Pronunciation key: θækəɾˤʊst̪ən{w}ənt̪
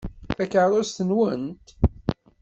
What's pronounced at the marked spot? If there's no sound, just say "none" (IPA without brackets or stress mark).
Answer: w